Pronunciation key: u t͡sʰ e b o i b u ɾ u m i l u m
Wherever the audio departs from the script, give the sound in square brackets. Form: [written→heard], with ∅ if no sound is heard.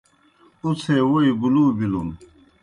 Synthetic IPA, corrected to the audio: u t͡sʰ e [b→w] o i b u [ɾ→l] u [m→b] i l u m